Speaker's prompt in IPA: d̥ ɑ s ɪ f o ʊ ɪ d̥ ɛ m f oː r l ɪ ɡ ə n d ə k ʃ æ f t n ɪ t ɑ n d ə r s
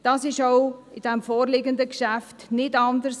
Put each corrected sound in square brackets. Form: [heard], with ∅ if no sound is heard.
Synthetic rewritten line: d̥ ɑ s ɪ [ʃ] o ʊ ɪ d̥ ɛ m f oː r l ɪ ɡ ə n d ə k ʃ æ f t n ɪ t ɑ n d ə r s